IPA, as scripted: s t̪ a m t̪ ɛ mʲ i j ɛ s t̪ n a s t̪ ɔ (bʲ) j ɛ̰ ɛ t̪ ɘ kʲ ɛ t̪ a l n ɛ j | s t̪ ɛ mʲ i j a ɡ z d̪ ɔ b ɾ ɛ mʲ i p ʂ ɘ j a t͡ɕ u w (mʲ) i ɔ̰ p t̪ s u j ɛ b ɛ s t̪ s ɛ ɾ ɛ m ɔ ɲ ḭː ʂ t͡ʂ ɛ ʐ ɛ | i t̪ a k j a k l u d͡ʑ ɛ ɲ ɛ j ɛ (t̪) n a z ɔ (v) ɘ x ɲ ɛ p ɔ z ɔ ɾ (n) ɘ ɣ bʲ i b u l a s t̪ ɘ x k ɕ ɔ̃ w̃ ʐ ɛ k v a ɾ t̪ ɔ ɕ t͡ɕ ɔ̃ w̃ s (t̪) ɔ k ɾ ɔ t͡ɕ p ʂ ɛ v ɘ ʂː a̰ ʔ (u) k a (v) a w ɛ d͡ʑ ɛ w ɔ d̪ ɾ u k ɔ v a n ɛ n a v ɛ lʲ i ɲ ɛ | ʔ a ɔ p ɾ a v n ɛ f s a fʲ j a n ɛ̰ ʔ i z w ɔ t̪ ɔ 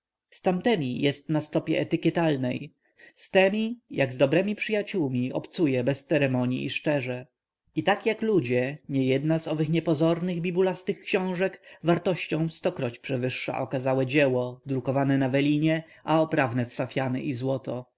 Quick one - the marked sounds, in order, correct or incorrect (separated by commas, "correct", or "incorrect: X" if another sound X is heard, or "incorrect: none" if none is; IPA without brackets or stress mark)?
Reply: incorrect: pʲ, correct, incorrect: d̪, correct, correct, correct, incorrect: ɔ, incorrect: z